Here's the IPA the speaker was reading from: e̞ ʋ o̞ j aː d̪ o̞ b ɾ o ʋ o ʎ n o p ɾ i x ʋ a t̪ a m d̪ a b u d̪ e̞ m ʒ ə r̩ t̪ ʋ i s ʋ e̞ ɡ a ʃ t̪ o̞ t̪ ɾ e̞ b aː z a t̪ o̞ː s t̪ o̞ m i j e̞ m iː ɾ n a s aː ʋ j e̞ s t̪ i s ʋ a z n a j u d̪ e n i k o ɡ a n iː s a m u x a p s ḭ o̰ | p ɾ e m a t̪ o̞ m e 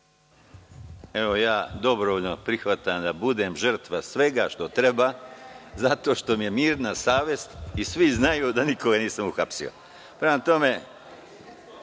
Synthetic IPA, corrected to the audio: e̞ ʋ o̞ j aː d̪ o̞ b ɾ o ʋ o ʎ n o p ɾ i x ʋ a t̪ a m d̪ a b u d̪ e̞ m ʒ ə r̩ t̪ ʋ a s ʋ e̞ ɡ a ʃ t̪ o̞ t̪ ɾ e̞ b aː z a t̪ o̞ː ʃ t̪ o̞ m i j e̞ m iː ɾ n a s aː ʋ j e̞ s t̪ i s ʋ i z n a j u d̪ a n i k o ɡ a n iː s a m u x a p s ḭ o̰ | p ɾ e m a t̪ o̞ m e